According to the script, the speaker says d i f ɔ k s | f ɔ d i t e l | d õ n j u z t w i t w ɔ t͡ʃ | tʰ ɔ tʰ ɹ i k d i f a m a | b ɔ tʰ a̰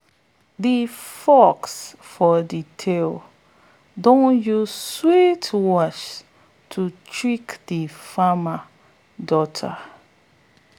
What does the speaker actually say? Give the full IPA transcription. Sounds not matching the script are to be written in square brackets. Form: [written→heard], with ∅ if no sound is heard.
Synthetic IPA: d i f ɔ k s | f ɔ d i [t→tʰ] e l | d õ n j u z [t→s] w i t w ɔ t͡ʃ | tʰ [ɔ→u] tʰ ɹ i k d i f a m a | [b→d] ɔ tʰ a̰

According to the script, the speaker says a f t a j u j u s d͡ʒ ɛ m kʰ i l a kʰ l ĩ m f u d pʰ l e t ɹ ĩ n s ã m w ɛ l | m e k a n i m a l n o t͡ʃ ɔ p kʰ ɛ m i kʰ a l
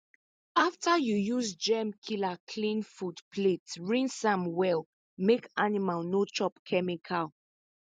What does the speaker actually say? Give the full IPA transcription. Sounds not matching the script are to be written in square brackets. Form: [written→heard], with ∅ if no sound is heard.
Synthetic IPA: a f t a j u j u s d͡ʒ ɛ m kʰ i l a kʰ l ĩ [m→n] f u d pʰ l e t ɹ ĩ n s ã m w ɛ l | m e k a n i m a l n o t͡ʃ ɔ p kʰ ɛ m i kʰ a l

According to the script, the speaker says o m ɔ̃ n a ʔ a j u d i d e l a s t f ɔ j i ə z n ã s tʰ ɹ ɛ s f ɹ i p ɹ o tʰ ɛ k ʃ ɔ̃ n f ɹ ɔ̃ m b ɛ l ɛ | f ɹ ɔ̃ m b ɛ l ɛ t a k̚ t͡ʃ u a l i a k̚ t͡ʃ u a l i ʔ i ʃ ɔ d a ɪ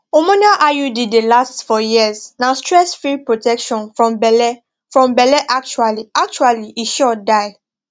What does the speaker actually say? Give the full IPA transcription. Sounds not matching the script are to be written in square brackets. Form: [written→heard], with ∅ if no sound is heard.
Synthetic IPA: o m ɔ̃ n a ʔ a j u d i d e l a s t f ɔ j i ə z n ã s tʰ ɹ ɛ s f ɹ i p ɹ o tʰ ɛ k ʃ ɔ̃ n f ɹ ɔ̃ m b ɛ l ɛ | f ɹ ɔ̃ m b ɛ l ɛ [t→ʔ] a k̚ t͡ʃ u a l i a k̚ t͡ʃ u a l i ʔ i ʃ ɔ d a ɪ

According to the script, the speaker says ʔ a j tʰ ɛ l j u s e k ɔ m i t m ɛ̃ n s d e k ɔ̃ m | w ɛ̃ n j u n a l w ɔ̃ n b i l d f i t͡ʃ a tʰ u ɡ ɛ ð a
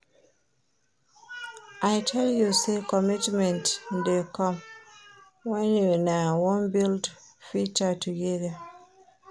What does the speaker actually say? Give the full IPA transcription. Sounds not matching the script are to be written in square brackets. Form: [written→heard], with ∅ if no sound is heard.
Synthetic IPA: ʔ a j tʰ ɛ l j u s e k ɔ m i t m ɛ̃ n [s→t] d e k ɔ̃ m | w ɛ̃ n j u n a [l→∅] w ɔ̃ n b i l d f i t͡ʃ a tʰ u ɡ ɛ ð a

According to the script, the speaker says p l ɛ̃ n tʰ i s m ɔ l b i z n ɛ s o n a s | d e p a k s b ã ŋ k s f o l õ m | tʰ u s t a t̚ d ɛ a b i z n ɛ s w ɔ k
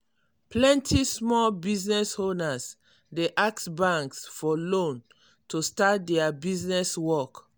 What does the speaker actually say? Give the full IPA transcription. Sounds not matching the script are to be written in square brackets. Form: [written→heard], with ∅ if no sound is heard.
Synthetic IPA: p l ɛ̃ n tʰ i s m ɔ l b i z n ɛ s o n a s | d e [p→ʔ] a k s b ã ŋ k s f [o→ɔ] l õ [m→n] | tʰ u s t a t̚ d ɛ a b i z n ɛ s w ɔ k

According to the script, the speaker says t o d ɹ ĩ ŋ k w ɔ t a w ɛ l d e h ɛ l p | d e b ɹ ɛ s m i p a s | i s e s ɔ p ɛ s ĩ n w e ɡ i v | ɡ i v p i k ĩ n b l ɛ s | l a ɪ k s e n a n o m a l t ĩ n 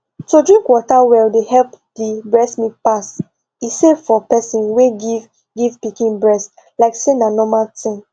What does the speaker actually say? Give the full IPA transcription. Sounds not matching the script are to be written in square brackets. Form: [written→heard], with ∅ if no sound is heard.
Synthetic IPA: t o d ɹ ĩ ŋ k w ɔ t a w ɛ l d e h ɛ l p | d [e→i] b ɹ ɛ s m i p a s | i s e [s→f] ɔ p ɛ s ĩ n w e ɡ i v | ɡ i v p i k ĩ n b [l→ɹ] ɛ s | l a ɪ k s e n a n [o→ɔ] m a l t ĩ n

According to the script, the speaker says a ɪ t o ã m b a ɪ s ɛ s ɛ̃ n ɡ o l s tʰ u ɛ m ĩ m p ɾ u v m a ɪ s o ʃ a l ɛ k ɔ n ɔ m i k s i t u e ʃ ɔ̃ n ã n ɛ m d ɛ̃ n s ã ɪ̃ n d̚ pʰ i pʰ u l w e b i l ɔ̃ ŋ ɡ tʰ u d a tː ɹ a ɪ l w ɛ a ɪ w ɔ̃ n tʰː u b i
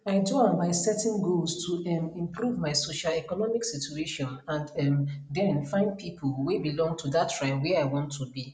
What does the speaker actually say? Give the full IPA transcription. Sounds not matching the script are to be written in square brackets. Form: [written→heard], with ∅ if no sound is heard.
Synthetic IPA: a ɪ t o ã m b a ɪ s ɛ [s→t] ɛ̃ n ɡ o l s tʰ u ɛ m ĩ m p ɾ u v m a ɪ s o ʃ a l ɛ k ɔ n ɔ m i k s i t u e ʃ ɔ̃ n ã n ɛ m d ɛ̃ n [s→f] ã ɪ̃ n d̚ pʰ i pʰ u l w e b i l ɔ̃ ŋ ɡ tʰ u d a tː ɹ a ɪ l w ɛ a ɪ w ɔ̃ n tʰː u b i

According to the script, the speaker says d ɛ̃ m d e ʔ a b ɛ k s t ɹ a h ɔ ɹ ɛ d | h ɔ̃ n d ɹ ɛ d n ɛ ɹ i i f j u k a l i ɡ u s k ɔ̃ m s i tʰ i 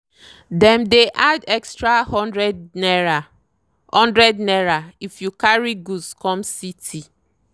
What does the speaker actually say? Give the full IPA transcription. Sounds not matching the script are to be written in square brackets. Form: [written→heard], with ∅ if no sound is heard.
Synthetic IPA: d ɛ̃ m d e ʔ a [b→d] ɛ k s t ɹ a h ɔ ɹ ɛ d | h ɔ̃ n d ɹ ɛ d n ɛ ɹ [i→a] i f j u k a [l→ɹ] i ɡ u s k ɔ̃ m s i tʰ i

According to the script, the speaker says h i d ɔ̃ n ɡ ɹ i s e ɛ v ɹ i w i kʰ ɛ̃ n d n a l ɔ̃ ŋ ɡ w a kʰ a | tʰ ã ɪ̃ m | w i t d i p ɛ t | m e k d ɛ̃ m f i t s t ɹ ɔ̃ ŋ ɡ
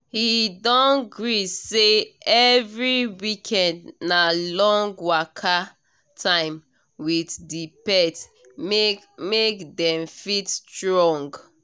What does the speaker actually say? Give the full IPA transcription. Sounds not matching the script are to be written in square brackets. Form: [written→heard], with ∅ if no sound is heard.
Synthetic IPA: h i d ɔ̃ n ɡ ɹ i s e ɛ v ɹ i w i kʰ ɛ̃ n d n a l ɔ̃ ŋ ɡ w a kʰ a | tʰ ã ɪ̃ m | w i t d i p ɛ t | m e k d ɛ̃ m f i t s t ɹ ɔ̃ ŋ ɡ

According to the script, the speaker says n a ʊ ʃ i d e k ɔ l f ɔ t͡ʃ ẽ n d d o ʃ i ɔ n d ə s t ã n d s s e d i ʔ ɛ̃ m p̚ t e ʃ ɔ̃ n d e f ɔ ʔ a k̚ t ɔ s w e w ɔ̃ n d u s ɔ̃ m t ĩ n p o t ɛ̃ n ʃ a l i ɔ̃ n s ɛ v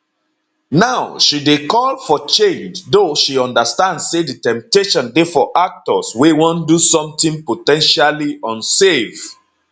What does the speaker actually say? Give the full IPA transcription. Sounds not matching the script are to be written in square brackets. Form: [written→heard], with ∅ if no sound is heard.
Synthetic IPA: n a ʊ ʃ i d e k ɔ l f ɔ t͡ʃ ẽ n [d→d͡ʒ] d o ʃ i [ɔ→ɔ̃] n d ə s t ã n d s s e d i [ʔ→t] ɛ̃ m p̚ t e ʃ ɔ̃ n d e f ɔ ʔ a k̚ t ɔ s w e w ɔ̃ n d u s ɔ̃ m t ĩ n p o t ɛ̃ n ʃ a l i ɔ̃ n s [ɛ→e] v

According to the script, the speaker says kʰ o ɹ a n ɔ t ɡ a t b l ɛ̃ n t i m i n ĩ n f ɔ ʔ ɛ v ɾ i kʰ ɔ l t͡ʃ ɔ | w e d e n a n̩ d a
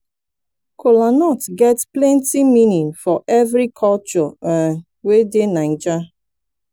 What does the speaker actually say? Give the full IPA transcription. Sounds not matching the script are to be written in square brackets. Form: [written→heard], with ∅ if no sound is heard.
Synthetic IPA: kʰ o [ɹ→l] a n ɔ t ɡ [a→ɛ] t [b→p] l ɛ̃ n t i m i n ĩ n f ɔ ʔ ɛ v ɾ i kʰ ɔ l t͡ʃ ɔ | w e d e n a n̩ [d→d͡ʒ] a

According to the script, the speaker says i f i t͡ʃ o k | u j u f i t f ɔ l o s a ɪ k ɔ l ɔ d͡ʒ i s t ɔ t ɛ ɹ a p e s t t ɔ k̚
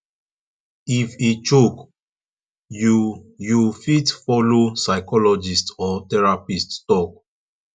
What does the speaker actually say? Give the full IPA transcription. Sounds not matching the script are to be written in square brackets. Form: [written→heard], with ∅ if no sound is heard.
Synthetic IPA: i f i t͡ʃ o k | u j u f i t f ɔ l o s a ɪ k ɔ l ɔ d͡ʒ i s t ɔ t ɛ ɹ a p [e→i] s t t ɔ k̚

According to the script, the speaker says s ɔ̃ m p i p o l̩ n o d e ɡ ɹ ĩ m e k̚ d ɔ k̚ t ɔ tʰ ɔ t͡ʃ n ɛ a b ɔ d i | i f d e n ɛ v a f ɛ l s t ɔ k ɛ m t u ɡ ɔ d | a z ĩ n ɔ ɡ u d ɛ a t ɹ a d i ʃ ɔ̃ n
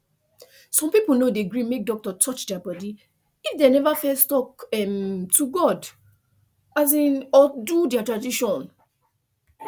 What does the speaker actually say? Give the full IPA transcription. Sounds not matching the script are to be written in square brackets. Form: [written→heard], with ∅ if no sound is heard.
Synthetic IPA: s ɔ̃ m p i p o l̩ n o d e ɡ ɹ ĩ m e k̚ d ɔ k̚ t ɔ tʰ ɔ t͡ʃ [n→d] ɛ a b ɔ d i | i f d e n ɛ v a f ɛ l s t ɔ k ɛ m t u ɡ ɔ d | a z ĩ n ɔ [ɡ→d] u d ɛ a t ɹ a d i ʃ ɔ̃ n

